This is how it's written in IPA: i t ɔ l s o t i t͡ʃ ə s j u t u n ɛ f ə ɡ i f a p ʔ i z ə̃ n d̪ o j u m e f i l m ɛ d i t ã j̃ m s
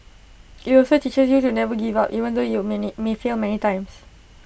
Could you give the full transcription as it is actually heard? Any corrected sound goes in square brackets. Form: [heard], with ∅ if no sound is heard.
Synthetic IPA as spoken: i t ɔ l s o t i t͡ʃ ə s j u t u n ɛ [v] ə ɡ i [v] a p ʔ i [v] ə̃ n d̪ o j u m e f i l m ɛ [n] i t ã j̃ m s